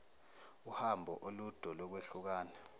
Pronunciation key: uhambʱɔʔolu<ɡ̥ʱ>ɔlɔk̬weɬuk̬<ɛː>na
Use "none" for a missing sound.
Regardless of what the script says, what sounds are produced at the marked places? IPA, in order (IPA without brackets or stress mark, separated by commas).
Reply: d̥ʱ, aː